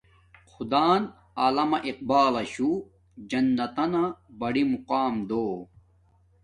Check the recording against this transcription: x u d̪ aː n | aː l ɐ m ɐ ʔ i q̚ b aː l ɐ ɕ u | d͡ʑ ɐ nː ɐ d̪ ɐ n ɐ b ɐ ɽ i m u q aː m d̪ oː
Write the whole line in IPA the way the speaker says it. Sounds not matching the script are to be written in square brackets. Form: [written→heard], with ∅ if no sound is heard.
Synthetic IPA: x u d̪ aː n | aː l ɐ m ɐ ʔ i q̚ b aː l ɐ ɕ u | d͡ʑ ɐ nː ɐ [d̪→t̪] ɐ n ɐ b ɐ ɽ i m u q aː m d̪ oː